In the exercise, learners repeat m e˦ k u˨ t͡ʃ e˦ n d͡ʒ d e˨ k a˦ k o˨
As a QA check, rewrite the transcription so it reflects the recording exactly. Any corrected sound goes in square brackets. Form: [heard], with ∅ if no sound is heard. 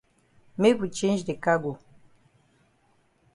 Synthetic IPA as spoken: m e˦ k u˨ t͡ʃ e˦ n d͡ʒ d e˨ k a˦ [ɡ] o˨